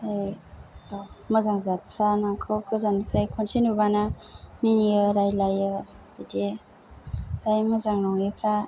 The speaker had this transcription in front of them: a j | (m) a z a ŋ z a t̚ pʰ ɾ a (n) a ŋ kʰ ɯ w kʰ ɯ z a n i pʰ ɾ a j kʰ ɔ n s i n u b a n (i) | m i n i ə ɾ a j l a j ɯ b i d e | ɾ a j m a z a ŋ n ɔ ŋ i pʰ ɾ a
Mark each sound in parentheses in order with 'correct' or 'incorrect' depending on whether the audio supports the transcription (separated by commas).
correct, correct, incorrect